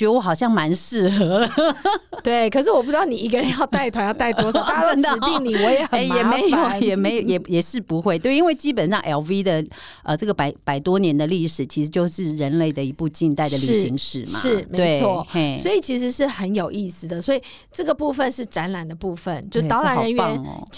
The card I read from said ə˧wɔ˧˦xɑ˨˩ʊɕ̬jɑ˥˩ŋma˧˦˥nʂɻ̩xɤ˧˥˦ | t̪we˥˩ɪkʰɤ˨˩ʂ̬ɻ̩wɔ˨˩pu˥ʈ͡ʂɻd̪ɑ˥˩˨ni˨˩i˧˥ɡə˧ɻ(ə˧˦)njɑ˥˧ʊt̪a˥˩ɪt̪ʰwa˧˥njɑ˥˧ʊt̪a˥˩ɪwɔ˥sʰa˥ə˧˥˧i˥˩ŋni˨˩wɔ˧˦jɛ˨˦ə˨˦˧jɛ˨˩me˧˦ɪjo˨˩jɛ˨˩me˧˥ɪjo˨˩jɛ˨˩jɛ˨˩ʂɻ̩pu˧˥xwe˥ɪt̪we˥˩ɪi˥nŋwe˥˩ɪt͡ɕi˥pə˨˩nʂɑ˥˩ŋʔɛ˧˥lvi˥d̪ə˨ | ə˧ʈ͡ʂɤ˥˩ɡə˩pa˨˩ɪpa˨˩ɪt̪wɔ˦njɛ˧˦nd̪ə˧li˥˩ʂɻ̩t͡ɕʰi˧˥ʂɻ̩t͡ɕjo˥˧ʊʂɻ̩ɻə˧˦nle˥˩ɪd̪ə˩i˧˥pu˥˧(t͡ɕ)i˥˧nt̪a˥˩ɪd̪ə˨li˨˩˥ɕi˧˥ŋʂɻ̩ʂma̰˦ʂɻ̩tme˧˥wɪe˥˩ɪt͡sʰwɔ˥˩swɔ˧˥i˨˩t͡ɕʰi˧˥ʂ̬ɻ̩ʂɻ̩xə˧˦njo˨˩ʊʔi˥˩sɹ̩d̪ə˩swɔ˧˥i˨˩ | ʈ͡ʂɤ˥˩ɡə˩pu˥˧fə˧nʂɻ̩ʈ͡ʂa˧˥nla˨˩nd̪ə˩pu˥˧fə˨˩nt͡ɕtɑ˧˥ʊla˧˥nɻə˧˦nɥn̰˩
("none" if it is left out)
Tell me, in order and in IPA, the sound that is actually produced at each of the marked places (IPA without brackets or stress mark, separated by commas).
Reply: ə˧˦, t͡ɕ